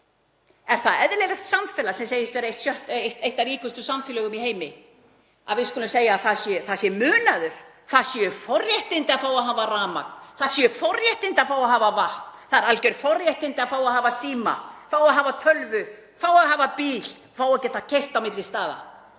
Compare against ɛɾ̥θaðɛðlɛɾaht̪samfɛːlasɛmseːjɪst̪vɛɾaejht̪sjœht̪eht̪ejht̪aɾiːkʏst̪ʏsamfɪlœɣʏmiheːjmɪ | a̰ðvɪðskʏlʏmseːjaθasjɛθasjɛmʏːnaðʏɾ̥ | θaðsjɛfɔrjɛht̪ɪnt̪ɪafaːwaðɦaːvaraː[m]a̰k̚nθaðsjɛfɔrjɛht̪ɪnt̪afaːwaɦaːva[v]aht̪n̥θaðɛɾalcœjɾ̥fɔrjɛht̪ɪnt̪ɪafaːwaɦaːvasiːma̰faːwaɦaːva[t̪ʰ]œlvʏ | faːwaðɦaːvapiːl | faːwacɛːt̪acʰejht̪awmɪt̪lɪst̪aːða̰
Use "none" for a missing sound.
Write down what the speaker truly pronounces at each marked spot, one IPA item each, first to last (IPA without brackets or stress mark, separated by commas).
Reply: m, v, t̪ʰ